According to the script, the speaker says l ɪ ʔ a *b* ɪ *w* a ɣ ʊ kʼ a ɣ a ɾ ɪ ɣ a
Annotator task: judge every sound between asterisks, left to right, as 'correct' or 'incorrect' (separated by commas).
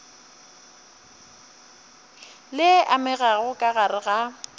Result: incorrect, incorrect